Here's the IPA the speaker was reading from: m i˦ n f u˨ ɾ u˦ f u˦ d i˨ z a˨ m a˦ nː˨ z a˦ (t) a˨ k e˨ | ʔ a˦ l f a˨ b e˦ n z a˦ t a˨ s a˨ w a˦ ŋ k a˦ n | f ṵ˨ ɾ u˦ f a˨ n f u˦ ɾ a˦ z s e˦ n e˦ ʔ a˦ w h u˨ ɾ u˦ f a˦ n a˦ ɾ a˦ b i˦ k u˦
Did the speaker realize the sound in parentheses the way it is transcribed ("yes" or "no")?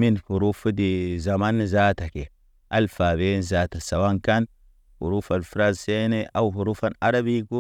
yes